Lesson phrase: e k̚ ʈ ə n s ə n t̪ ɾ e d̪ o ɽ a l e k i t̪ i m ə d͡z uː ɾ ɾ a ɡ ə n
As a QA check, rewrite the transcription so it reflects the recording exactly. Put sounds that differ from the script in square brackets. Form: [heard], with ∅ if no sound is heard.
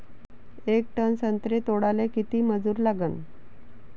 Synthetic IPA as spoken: e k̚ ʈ ə n s ə n t̪ ɾ e [t̪] o ɽ a l e k i t̪ [iː] m ə d͡z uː ɾ [l] a ɡ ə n